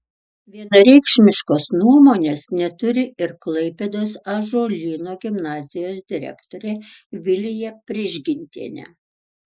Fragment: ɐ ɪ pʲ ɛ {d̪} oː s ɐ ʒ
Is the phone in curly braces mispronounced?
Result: no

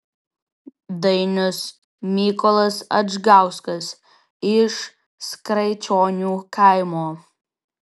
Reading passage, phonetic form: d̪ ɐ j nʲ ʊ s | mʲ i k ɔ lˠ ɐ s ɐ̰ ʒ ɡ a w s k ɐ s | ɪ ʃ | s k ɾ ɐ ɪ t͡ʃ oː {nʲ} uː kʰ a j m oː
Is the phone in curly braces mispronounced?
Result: no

